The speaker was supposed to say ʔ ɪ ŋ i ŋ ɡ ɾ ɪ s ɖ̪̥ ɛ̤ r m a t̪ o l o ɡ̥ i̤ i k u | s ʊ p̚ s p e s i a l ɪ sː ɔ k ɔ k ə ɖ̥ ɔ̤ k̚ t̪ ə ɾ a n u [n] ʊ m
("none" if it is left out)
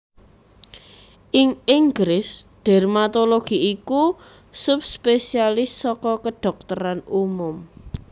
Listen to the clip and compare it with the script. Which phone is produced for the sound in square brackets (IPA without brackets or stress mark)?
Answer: m